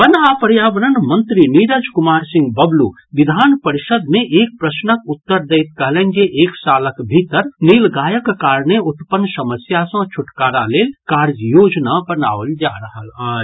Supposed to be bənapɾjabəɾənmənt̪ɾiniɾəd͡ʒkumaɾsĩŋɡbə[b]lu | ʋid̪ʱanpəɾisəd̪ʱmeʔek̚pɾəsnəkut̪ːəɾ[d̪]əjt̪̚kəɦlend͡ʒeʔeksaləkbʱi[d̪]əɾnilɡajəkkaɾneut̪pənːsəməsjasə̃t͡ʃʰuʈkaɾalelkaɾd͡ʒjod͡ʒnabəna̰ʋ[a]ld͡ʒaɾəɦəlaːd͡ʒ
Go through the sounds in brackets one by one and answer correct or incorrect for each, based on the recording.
correct, correct, incorrect: t̪, incorrect: ə

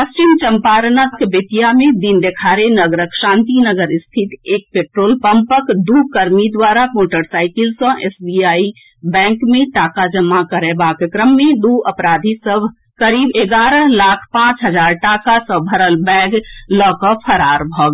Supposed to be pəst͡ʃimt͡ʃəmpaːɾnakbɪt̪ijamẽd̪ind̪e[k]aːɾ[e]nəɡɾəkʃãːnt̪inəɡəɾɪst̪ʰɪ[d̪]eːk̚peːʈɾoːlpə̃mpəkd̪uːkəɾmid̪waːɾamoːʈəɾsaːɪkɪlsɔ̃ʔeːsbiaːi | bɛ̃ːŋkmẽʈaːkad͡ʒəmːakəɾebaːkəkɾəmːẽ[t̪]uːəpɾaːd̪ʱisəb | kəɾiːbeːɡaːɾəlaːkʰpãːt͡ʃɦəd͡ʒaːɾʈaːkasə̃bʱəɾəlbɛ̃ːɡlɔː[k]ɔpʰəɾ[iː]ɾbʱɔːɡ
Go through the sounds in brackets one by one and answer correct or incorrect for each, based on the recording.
incorrect: kʰ, correct, incorrect: t̪, incorrect: d̪, correct, incorrect: aː

